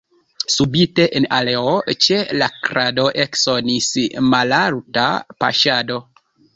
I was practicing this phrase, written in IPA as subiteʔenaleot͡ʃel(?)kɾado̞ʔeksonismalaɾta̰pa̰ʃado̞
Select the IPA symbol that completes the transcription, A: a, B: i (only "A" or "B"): A